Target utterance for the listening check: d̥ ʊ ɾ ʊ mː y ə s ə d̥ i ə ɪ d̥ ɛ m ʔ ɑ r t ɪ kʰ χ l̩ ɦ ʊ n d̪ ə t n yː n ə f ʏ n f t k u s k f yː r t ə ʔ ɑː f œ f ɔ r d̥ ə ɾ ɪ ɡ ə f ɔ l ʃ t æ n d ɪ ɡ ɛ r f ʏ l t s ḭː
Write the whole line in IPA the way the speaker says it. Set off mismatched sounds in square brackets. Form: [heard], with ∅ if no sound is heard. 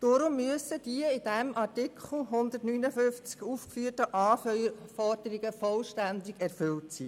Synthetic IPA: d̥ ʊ ɾ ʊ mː y ə s ə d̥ i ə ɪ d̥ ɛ m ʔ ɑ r t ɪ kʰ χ l̩ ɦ ʊ n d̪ ə t n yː n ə f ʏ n f [t͡s] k u [f] k f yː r t ə ʔ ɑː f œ f ɔ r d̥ ə ɾ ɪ ɡ ə f ɔ l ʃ t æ n d ɪ ɡ ɛ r f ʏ l t s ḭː